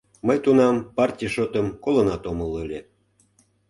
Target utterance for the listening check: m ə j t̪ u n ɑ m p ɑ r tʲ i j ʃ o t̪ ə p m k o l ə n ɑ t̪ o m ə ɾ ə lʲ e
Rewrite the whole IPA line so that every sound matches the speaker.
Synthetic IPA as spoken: m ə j t̪ u n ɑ m p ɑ r tʲ i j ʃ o t̪ ə m k o l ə n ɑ t̪ o m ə l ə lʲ e